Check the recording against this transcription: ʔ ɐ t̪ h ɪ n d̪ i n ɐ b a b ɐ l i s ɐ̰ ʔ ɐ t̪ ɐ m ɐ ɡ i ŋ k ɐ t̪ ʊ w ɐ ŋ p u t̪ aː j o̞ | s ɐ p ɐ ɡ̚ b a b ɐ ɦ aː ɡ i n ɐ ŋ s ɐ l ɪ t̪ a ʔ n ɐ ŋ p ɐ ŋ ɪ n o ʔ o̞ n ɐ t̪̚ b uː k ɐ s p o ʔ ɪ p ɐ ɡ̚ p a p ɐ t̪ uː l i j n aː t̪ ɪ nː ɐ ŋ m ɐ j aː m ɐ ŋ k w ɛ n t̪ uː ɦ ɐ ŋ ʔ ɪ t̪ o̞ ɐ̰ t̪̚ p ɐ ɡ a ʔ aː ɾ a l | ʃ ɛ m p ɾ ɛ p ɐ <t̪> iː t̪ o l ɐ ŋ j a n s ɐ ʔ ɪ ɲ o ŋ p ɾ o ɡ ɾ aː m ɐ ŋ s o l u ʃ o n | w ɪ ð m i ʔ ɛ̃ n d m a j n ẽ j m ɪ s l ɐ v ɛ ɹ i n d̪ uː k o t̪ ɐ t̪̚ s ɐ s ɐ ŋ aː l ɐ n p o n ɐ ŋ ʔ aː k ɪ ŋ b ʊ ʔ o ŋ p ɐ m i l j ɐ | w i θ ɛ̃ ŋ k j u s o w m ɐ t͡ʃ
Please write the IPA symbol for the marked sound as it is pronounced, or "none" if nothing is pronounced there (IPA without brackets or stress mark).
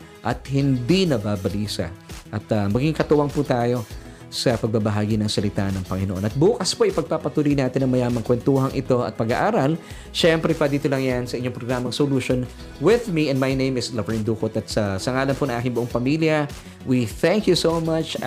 d̪